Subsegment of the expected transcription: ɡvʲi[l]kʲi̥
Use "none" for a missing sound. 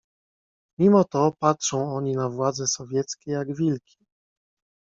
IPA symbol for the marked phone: l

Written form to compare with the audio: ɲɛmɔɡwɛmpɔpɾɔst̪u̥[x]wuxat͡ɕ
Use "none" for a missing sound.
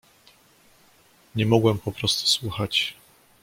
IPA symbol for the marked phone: s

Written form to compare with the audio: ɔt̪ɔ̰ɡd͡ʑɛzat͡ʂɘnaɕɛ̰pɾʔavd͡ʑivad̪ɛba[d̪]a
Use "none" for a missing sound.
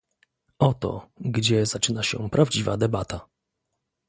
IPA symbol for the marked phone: t̪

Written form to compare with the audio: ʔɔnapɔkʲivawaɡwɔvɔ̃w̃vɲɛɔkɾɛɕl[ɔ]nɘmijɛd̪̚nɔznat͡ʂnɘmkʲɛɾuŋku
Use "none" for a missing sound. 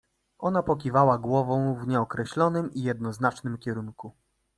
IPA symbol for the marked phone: ɔ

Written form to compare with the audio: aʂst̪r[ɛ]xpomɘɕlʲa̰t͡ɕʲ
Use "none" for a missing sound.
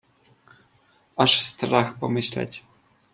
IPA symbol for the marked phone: a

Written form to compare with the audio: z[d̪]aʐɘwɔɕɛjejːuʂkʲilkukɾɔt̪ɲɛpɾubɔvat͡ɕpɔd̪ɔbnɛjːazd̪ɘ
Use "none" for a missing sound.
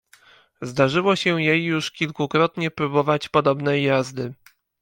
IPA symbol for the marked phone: d̪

